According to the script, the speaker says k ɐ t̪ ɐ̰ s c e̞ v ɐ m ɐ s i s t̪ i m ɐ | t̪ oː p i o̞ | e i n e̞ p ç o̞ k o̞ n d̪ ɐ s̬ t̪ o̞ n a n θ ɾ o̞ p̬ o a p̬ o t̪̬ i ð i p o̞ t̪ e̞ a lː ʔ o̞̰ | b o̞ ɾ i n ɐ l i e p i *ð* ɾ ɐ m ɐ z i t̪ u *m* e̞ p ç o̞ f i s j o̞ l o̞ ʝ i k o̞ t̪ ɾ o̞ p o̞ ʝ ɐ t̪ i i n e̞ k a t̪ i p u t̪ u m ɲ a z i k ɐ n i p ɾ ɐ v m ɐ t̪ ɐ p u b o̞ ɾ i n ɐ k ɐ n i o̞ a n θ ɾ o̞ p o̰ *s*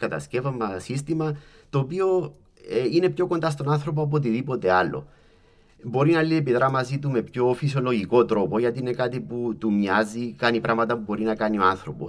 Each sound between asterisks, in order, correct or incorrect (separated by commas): correct, correct, correct